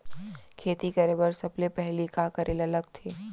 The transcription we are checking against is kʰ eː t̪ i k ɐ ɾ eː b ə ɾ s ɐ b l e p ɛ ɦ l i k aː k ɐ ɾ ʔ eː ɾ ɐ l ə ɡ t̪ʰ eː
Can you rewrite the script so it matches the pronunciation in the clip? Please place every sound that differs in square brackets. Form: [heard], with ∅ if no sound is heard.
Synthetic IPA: kʰ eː t̪ i k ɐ ɾ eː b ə ɾ s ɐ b l e p ɛ ɦ l i k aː k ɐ ɾ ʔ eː [l] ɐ l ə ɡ t̪ʰ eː

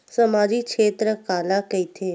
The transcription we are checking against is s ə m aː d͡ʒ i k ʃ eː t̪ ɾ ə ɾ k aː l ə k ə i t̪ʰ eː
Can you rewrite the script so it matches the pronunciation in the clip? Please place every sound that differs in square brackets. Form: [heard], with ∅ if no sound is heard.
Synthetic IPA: s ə m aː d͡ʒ i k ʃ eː t̪ ɾ ə [∅] k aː l [a] k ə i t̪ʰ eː

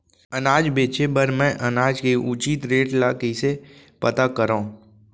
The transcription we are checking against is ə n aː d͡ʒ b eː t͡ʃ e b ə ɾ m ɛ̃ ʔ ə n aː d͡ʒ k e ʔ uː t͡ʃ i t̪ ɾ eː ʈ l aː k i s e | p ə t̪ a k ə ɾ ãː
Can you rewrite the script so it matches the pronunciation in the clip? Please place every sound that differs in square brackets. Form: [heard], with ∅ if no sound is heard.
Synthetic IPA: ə n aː d͡ʒ b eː t͡ʃ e b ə ɾ m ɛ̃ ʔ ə n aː d͡ʒ k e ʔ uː t͡ʃ i t̪ ɾ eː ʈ l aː k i s e | p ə t̪ a k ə ɾ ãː

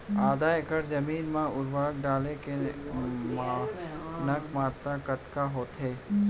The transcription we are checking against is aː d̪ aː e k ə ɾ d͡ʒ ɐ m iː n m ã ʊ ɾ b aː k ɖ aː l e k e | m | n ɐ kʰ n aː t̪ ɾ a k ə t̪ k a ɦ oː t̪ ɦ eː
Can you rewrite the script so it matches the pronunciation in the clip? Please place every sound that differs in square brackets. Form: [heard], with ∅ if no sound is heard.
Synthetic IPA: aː d̪ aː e k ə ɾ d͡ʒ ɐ m iː n m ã ʊ ɾ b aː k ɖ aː l e k e | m | n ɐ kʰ [m] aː t̪ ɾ a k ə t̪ k a ɦ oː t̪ ɦ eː

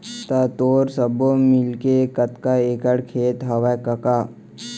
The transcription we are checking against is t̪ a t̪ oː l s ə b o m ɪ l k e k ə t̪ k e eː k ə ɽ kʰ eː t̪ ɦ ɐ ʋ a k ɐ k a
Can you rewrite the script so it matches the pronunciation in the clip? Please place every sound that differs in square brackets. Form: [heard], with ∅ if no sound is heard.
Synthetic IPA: t̪ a t̪ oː [ɾ] s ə b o m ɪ l k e k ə t̪ k [a] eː k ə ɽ kʰ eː t̪ ɦ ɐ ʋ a k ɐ k a

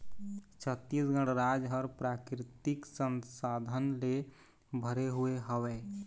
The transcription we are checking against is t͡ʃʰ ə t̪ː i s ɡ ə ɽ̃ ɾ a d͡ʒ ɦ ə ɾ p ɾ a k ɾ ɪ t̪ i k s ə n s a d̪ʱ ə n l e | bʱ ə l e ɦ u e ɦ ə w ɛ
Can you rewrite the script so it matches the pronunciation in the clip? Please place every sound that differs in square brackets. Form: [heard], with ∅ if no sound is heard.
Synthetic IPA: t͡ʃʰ ə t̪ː i s ɡ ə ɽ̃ ɾ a d͡ʒ ɦ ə ɾ p ɾ a k ɾ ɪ t̪ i k s ə n s a d̪ʱ ə n l e | bʱ ə [ɾ] e ɦ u e ɦ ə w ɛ

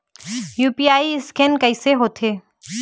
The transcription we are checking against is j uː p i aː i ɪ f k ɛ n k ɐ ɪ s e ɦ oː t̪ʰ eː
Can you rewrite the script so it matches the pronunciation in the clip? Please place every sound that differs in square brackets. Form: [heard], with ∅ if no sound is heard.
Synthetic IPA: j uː p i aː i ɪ [s] k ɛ n k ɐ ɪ s e ɦ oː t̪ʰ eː

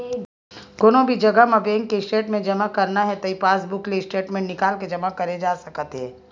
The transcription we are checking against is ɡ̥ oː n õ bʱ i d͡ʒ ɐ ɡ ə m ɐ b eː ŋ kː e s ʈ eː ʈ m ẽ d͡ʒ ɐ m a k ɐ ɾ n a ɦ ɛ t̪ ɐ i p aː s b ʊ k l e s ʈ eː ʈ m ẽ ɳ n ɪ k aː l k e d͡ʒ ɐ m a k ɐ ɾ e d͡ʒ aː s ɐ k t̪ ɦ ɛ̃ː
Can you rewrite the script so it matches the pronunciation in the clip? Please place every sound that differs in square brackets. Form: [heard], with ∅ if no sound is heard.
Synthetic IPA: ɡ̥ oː n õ bʱ i d͡ʒ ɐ ɡ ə m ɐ b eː ŋ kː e s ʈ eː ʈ m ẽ d͡ʒ ɐ m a k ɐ ɾ n a ɦ ɛ t̪ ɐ i p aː s b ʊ k l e s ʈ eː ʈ m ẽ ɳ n ɪ k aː l k e d͡ʒ ɐ m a k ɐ ɾ e d͡ʒ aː s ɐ k t̪ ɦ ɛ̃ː

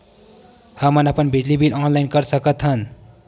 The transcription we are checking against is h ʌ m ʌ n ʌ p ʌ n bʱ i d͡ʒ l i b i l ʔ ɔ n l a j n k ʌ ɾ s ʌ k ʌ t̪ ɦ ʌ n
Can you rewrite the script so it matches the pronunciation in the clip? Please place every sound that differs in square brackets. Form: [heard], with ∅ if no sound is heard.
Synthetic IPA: h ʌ m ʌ n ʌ p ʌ n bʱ i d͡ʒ l i b i l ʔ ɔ n l a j n k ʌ ɾ s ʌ k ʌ t̪ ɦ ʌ n

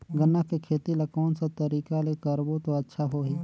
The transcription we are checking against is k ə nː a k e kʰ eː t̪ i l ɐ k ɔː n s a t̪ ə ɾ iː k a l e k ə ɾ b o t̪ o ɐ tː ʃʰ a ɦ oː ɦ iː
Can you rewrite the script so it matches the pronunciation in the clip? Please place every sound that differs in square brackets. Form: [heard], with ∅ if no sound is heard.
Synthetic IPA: [ɡ] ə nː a k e kʰ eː t̪ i l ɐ k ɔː n s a t̪ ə ɾ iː k a l e k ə ɾ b o t̪ o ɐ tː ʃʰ a ɦ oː ɦ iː

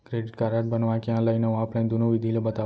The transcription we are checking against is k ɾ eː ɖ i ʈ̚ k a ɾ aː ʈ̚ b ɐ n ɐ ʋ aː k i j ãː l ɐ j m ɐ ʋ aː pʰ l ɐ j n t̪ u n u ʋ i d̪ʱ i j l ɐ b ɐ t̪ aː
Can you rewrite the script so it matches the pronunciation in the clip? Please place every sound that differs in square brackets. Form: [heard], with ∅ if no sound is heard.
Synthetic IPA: k ɾ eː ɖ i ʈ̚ k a ɾ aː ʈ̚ b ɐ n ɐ ʋ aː k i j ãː l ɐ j [n] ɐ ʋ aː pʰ l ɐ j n [d̪] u n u ʋ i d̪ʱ i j l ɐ b ɐ t̪ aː

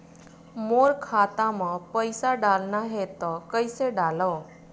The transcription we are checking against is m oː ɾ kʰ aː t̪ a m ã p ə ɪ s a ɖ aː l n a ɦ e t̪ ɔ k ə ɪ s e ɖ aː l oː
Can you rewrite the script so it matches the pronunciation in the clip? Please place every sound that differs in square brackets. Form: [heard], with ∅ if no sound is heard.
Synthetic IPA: m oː ɾ kʰ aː t̪ a m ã p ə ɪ s a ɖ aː l n a ɦ e t̪ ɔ k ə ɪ s e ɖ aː l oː

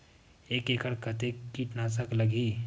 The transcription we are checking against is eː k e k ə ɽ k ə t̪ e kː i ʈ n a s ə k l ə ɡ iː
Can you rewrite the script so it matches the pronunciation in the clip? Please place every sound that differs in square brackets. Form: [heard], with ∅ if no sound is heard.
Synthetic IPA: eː k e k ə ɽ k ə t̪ e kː i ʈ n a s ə k l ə ɡ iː

